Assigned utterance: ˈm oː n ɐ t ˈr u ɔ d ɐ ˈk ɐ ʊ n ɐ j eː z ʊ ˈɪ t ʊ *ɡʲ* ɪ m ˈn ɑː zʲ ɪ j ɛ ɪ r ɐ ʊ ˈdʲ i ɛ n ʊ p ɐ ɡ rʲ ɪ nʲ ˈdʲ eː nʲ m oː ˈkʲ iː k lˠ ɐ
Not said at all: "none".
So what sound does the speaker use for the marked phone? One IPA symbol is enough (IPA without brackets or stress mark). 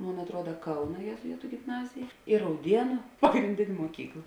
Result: ɡʲ